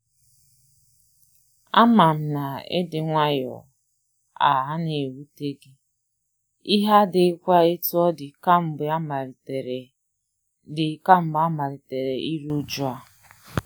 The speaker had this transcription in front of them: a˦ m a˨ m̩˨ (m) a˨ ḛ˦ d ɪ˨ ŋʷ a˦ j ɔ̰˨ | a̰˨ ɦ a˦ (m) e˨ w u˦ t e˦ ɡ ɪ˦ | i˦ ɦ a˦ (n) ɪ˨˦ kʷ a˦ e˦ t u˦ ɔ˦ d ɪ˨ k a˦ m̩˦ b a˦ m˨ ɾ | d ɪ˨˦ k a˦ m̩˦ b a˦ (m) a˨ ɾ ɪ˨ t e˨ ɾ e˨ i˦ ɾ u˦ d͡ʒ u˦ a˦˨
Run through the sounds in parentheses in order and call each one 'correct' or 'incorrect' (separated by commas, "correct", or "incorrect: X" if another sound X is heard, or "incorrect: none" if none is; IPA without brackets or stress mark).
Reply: incorrect: n, incorrect: n, incorrect: d, correct